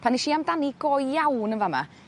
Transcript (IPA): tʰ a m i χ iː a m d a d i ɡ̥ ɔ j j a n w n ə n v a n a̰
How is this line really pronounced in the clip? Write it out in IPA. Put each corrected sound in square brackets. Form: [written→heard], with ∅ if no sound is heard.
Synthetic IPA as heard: [tʰ→pʰ] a [m→n] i [χ→ʃ] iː a m d a [d→n] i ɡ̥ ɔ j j a [n→∅] w n ə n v a [n→m] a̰